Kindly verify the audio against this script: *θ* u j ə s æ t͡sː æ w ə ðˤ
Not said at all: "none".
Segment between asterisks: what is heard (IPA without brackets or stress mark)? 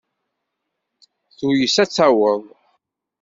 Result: θ